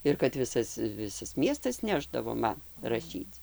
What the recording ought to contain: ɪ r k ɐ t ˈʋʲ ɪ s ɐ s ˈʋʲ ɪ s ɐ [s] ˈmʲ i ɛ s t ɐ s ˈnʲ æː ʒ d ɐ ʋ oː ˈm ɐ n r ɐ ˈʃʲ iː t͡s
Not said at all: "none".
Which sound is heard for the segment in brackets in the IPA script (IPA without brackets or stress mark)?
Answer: s